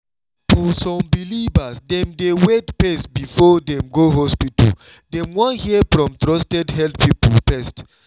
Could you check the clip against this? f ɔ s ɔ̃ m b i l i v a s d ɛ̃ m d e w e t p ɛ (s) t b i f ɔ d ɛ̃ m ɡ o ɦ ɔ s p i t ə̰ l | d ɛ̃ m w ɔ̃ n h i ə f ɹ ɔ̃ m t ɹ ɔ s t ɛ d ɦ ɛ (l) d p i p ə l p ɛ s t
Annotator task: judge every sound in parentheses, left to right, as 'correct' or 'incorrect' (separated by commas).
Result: correct, correct